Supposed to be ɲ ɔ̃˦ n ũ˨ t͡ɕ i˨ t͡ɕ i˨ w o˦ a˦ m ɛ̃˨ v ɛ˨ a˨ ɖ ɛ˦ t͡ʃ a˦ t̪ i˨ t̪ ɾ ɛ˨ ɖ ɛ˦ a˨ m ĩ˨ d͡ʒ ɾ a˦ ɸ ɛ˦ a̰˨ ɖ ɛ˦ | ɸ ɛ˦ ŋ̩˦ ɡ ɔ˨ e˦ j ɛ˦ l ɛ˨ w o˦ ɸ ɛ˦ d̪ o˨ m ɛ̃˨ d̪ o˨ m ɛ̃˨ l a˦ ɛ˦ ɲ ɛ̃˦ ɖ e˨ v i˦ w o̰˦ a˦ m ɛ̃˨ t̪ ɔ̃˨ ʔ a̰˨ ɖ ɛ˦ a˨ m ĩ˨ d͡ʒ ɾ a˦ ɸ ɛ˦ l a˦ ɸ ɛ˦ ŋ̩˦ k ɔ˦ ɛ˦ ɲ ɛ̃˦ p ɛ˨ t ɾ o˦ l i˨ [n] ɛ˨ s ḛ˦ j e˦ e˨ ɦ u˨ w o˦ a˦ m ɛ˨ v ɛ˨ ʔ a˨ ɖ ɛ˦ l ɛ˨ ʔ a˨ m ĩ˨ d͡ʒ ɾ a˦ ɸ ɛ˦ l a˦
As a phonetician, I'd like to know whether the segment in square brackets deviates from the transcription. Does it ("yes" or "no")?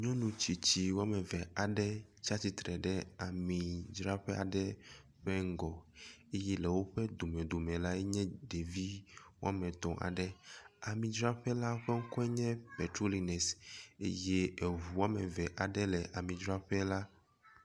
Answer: no